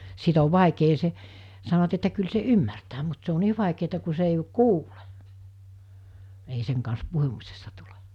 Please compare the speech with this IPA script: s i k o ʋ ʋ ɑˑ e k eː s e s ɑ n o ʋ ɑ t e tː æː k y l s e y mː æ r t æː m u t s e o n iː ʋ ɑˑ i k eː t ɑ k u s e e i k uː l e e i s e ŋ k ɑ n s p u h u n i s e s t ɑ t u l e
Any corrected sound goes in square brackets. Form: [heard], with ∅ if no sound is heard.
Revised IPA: s i [t] o ʋ ʋ ɑˑ e k eː s e s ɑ n o ʋ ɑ t e tː [æ] k y l s e y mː æ r t æː m u t s e o n iː ʋ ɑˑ i k eː t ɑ k u s e e i k uː l e e i s e ŋ k ɑ n s p u h u [m] i s e s t ɑ t u l e